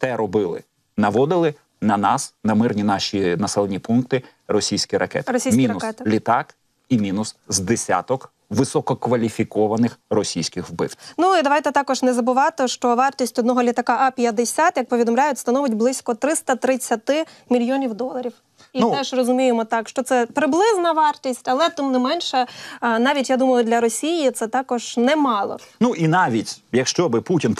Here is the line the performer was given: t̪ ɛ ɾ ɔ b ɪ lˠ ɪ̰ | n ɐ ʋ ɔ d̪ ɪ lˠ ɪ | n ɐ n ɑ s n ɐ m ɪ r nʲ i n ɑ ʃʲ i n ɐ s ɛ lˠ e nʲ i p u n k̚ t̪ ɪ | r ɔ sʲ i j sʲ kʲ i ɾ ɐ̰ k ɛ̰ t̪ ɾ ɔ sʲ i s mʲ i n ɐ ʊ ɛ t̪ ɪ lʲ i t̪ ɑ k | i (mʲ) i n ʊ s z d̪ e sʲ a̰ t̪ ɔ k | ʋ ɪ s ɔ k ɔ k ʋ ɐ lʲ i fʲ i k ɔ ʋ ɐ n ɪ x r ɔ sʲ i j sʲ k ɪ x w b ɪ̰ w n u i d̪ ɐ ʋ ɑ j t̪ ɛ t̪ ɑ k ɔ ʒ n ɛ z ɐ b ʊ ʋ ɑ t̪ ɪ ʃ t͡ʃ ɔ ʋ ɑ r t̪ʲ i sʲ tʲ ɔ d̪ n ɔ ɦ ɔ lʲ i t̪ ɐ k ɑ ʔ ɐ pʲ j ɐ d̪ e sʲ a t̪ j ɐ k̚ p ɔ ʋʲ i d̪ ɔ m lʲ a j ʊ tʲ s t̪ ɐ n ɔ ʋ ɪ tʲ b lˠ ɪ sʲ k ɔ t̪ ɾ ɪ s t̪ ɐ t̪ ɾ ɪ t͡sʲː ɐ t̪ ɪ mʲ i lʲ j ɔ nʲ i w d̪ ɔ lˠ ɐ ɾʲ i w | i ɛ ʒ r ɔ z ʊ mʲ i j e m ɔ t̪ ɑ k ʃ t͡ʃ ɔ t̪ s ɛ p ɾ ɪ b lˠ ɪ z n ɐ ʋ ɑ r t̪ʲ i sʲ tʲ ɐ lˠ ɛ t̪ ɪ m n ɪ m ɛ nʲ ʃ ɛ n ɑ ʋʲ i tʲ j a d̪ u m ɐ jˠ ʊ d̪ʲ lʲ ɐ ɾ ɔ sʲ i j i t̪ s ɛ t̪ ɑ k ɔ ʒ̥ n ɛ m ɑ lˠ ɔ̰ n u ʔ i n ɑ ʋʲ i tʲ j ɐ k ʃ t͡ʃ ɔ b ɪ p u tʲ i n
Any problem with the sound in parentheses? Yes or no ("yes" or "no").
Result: no